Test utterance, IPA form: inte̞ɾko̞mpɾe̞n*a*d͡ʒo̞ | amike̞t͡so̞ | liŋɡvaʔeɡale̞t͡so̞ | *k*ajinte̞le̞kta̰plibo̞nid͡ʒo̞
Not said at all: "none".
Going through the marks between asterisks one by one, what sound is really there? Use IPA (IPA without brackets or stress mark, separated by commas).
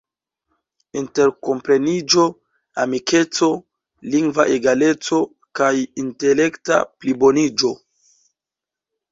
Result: i, k